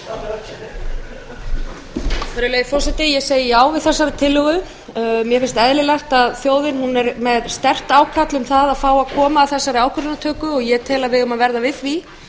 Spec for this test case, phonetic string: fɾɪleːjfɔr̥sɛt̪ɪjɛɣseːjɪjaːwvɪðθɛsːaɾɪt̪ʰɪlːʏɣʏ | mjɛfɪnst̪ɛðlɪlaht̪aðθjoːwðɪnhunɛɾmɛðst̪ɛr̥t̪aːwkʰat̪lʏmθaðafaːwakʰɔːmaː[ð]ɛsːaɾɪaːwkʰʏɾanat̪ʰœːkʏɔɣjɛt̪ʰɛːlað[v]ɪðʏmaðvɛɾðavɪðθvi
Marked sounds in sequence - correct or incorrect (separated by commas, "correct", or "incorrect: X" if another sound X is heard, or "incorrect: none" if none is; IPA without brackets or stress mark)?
incorrect: θ, correct